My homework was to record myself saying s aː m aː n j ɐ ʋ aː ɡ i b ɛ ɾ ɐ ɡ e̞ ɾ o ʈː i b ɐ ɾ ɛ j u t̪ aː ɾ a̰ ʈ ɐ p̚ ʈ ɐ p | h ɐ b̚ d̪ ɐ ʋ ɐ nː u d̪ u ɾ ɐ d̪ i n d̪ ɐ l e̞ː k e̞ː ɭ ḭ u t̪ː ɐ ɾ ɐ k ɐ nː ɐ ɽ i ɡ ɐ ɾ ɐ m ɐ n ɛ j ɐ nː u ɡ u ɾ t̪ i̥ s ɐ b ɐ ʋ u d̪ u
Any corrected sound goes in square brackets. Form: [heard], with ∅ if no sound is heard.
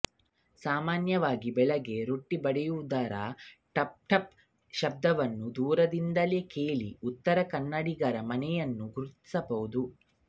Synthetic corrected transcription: s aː m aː n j ɐ ʋ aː ɡ i b ɛ [ɭ] ɐ ɡ e̞ ɾ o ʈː i b ɐ [ɽ] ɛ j u [d̪] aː ɾ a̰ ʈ ɐ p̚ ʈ ɐ p | [ʃ] ɐ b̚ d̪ ɐ ʋ ɐ nː u d̪ [uː] ɾ ɐ d̪ i n d̪ ɐ l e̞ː k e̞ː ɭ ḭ u t̪ː ɐ ɾ ɐ k ɐ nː ɐ ɽ i ɡ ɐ ɾ ɐ m ɐ n ɛ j ɐ nː u ɡ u ɾ t̪ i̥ s ɐ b ɐ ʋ u d̪ u